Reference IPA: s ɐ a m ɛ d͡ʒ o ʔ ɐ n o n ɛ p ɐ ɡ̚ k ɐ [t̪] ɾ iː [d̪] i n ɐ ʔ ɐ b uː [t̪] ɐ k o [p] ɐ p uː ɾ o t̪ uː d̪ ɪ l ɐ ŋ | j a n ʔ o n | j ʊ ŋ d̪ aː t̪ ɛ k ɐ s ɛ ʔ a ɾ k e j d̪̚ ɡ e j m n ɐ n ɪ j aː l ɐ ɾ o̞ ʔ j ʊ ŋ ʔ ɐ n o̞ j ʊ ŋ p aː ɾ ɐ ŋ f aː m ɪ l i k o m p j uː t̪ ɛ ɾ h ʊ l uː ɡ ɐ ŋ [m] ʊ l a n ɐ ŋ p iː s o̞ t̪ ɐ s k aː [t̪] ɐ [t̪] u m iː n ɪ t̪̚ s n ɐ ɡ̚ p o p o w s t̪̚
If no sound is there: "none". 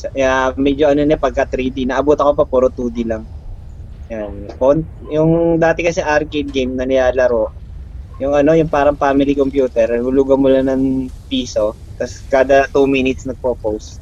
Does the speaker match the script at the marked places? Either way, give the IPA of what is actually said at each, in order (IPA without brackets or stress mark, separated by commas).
t̪, d̪, t̪, p, m, d̪, t̪